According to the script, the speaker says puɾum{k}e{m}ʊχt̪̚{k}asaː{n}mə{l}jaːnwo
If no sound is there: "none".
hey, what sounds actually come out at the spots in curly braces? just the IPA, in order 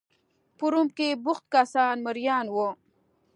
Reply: k, b, k, n, ɾ

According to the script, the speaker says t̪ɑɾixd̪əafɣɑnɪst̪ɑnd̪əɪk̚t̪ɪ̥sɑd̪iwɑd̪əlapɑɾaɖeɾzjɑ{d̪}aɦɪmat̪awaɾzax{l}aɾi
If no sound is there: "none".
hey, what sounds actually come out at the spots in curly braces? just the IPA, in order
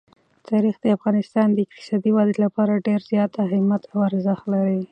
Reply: t̪, l

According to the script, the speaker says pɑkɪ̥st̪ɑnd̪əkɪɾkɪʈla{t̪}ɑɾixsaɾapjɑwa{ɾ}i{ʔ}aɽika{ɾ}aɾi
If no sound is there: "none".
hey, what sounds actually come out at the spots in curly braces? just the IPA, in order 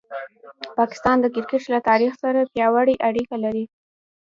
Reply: t̪, ɽ, ʔ, l

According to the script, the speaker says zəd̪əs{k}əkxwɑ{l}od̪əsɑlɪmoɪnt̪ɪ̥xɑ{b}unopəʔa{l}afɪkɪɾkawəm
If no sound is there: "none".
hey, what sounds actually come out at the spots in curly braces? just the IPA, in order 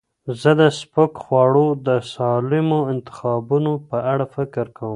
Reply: p, ɽ, b, ɽ

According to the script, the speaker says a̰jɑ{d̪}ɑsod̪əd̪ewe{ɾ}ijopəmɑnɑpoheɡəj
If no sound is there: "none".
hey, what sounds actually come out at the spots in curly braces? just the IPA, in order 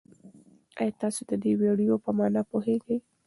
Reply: t̪, ɽ

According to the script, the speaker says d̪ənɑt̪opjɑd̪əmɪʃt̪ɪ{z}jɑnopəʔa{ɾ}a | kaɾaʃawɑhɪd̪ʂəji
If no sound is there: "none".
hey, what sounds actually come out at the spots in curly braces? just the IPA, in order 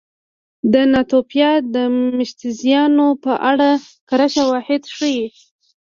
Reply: z, ɽ

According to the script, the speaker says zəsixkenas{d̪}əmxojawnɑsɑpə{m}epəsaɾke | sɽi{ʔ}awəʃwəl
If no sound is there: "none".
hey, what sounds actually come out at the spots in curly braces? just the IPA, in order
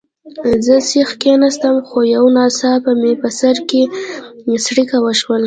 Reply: t̪, m, k

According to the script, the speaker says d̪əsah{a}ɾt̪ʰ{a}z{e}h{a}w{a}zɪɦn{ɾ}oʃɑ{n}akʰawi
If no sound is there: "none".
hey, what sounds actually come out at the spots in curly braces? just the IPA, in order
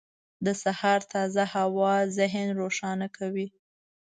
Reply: ɑ, ɑ, a, a, ɑ, ɾ, n

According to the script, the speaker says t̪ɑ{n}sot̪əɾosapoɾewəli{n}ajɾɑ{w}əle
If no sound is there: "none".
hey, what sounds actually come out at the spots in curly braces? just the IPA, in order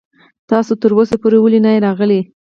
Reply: none, n, ɣ

